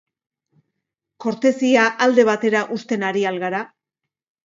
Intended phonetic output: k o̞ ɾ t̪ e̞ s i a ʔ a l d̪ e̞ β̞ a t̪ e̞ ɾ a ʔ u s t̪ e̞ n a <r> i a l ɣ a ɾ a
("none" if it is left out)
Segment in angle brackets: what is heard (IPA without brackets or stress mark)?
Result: ɾ